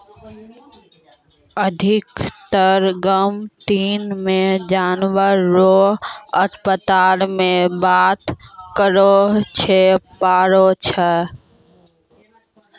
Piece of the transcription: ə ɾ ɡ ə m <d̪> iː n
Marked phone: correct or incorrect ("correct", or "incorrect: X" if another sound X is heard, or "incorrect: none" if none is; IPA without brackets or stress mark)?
incorrect: t̪